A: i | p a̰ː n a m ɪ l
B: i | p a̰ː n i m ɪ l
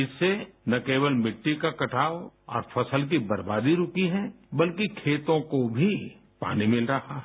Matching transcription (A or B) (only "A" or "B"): B